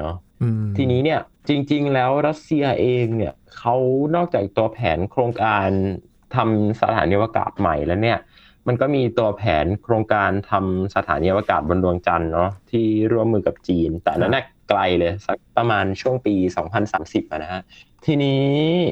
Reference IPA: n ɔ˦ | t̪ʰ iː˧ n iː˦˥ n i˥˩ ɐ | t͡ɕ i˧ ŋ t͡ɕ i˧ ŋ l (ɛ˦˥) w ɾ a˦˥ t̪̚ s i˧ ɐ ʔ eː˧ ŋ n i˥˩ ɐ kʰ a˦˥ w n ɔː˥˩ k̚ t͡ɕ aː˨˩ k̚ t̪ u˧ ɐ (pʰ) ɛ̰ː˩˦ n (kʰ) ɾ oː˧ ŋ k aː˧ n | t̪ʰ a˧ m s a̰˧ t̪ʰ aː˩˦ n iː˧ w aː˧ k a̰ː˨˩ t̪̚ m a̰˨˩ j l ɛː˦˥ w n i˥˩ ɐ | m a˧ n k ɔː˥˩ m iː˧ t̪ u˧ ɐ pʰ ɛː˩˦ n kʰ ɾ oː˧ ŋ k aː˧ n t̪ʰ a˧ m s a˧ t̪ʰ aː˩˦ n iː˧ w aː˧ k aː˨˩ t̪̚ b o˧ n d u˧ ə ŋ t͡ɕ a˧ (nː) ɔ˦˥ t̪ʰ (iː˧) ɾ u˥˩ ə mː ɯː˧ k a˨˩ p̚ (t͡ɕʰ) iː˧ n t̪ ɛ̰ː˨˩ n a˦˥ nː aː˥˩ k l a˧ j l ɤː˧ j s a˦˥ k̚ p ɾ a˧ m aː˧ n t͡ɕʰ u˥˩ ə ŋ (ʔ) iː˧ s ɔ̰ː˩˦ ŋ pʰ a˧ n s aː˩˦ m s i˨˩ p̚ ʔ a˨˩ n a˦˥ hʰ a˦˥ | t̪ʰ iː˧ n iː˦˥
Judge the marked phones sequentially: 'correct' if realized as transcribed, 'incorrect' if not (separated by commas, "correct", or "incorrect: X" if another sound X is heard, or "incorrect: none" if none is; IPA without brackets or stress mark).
incorrect: ɛː˦˥, correct, correct, correct, incorrect: iː˥˩, incorrect: t͡ɕ, incorrect: p